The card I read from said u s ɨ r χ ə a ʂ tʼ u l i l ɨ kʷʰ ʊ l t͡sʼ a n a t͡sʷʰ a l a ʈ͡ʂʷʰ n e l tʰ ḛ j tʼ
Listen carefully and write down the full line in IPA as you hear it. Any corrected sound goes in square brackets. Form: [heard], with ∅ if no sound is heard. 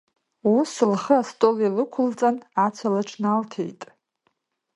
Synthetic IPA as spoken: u s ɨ [l] χ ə a [s] tʼ [o] l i l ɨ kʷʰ ʊ l t͡sʼ a n a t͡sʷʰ a l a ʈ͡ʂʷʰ n [a] l tʰ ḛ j tʼ